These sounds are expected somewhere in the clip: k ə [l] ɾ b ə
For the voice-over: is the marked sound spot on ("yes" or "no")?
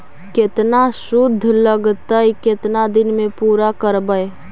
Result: no